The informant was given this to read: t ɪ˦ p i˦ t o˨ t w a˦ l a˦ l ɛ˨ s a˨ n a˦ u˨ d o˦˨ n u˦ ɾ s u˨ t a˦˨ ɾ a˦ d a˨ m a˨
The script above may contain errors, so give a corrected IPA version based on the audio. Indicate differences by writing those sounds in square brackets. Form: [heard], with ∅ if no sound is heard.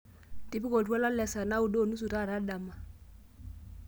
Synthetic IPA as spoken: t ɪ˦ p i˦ [k] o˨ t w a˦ l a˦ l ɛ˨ s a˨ n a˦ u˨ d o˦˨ n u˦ [∅] s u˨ t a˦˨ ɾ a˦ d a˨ m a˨